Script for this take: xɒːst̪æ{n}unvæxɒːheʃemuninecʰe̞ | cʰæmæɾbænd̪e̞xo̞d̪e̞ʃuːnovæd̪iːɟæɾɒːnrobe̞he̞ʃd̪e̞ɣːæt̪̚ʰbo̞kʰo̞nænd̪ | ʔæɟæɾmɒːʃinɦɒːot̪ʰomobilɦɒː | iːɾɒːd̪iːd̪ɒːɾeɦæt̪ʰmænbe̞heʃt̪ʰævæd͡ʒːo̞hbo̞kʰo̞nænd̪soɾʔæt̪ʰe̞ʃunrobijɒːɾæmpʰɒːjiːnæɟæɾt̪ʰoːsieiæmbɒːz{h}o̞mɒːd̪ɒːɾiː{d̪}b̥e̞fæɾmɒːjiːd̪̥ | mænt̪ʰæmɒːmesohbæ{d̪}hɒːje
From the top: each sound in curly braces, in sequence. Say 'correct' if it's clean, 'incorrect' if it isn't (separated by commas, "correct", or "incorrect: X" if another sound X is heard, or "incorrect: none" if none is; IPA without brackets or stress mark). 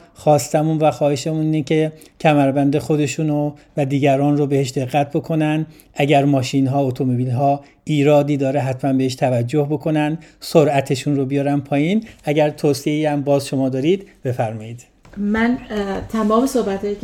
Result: incorrect: m, incorrect: ʃ, correct, incorrect: t̪